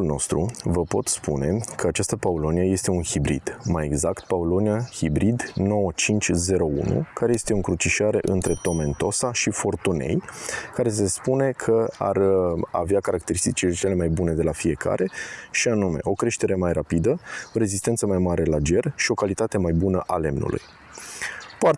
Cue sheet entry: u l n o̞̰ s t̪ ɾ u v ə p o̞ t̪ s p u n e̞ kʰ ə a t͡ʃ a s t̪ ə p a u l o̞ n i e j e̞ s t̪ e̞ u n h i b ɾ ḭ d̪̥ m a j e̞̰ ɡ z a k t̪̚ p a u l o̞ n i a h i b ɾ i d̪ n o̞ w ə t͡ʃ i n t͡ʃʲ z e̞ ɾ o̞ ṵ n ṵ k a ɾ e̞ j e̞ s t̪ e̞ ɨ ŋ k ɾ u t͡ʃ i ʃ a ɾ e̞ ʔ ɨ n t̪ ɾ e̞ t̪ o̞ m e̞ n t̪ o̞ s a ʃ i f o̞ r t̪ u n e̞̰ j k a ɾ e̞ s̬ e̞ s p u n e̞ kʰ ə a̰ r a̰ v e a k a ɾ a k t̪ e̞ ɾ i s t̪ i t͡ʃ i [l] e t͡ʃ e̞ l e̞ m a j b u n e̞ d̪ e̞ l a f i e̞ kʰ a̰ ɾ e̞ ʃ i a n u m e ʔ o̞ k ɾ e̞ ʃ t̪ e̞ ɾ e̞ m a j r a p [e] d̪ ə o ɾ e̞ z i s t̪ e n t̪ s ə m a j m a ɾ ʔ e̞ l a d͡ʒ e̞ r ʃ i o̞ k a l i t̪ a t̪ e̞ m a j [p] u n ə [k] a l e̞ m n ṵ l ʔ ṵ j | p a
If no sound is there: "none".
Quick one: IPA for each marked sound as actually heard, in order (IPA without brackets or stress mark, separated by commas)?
l, i, b, ʔ